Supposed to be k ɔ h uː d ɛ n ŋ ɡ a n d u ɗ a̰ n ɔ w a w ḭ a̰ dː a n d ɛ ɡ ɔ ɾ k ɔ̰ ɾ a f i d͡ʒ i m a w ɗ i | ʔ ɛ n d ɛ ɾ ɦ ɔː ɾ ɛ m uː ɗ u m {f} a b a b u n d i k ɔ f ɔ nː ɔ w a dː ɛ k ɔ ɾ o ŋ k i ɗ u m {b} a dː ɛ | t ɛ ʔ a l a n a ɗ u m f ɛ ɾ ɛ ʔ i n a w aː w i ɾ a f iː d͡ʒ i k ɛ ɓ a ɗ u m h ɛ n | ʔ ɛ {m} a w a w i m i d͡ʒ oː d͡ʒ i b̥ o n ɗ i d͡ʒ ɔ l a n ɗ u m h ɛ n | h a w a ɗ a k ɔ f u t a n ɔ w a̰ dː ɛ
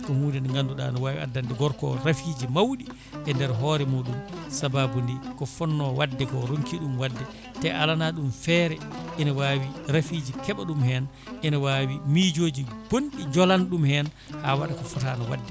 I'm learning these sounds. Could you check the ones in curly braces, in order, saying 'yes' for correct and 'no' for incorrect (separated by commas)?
no, no, no